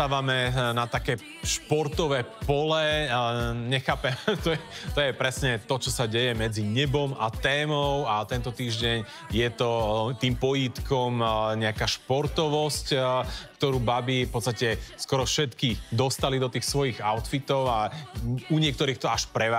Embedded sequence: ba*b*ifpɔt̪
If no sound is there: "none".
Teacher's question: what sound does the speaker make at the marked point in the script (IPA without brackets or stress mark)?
b